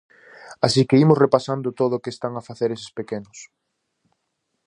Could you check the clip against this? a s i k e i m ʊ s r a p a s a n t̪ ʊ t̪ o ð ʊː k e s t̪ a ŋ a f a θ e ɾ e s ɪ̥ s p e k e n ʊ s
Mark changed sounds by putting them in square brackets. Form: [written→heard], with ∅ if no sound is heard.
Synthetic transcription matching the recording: a s i k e i m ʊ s r [a→e] p a s a n [t̪→d̪] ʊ t̪ o ð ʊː k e s t̪ a ŋ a f a θ e ɾ e s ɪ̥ s p e k e n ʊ s